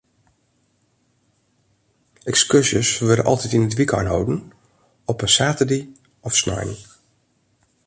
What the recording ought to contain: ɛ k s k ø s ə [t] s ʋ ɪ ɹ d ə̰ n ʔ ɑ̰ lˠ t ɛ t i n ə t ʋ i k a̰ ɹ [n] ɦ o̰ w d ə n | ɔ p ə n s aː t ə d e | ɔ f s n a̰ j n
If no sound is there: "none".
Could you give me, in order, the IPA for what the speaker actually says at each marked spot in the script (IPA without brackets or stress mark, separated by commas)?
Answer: none, n